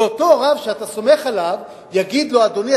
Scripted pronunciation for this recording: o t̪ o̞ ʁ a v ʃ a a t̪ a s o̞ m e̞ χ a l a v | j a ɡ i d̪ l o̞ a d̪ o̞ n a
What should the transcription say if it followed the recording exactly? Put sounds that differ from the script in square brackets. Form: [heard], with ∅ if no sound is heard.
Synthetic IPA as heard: o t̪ o̞ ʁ a v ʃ [e] a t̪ a s o̞ m e̞ χ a l a v | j a ɡ i d̪ l o̞ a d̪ o̞ n [i]